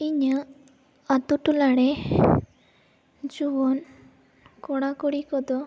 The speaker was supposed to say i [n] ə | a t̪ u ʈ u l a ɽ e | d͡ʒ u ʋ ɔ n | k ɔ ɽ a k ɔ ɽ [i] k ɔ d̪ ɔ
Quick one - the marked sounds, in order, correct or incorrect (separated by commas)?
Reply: incorrect, correct